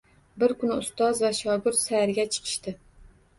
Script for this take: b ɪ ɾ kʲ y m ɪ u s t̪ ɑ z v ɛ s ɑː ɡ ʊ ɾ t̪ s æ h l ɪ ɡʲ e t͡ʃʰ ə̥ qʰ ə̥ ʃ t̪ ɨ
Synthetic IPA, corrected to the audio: b ɪ ɾ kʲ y n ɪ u s t̪ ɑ z v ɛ ʃ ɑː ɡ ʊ ɾ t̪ s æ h ɾ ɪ ɡʲ ɛ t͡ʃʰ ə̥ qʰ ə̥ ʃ t̪ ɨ